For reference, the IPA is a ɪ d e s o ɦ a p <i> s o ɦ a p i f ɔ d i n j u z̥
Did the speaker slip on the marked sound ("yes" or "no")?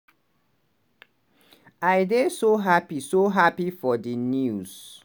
no